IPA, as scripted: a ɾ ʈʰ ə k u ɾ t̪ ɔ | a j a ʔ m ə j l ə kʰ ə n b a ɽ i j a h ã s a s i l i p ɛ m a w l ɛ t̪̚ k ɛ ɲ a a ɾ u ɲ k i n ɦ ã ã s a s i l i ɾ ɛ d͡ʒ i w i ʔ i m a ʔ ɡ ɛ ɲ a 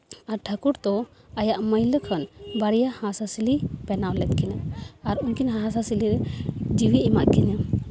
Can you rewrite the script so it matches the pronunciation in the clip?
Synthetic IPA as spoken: a ɾ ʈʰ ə k u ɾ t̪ ɔ | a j a ʔ m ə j l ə kʰ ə n b a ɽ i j a h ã s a s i l i p ɛ n a w l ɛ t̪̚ k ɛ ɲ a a ɾ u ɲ k i n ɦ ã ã s a s i l i ɾ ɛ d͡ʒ i w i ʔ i m a ʔ k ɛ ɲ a